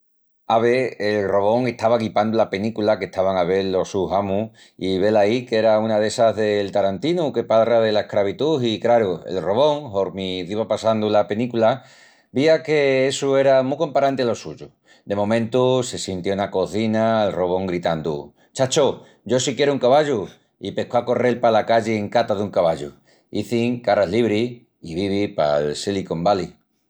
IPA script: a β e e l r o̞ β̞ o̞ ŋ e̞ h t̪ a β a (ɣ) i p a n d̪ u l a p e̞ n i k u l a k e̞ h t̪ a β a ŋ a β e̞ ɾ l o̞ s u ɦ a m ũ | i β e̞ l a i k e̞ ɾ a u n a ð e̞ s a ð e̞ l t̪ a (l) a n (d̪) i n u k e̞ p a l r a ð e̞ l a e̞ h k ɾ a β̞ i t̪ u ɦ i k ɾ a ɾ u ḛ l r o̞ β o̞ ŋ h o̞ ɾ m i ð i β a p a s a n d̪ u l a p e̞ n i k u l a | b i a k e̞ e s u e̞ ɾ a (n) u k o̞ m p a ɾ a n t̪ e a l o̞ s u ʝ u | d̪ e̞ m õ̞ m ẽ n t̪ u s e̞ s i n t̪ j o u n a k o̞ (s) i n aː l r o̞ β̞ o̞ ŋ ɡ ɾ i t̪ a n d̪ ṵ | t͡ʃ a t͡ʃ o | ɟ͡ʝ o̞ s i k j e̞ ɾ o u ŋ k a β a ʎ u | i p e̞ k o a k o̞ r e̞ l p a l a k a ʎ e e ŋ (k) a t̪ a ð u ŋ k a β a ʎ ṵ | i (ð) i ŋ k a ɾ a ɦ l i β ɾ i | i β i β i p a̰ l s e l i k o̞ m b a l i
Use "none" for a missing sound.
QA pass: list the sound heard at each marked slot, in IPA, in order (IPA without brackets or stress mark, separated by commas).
ɣ, ɾ, t̪, m, θ, k, θ